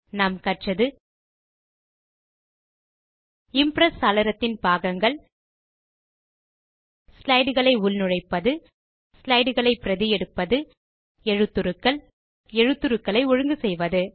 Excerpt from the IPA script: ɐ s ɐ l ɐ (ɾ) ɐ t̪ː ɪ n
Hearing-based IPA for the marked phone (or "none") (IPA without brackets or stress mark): ɾ